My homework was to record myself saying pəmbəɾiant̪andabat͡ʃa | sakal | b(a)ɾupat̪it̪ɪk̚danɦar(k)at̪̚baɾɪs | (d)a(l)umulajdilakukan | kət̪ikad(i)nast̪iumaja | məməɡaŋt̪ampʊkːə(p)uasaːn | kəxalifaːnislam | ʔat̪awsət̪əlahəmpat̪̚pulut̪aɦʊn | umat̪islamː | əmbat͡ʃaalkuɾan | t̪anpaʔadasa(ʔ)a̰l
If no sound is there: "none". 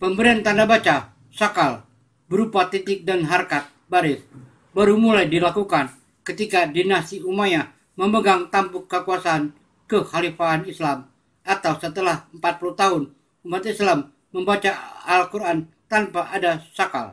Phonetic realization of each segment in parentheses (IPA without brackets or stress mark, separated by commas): ə, k, b, ɾ, i, k, k